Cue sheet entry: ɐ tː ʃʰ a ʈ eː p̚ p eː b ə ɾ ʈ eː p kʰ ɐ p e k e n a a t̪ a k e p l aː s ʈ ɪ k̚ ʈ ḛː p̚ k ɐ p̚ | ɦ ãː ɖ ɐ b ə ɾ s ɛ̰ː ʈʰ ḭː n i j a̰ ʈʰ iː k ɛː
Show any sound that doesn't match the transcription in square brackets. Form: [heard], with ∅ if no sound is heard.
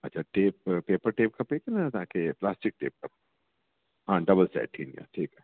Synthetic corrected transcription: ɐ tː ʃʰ a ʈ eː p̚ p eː [p] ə ɾ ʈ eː p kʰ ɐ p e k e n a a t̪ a k e p l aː s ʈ ɪ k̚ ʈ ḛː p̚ k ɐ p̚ | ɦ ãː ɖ ɐ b ə [l] s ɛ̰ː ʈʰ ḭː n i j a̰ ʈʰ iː k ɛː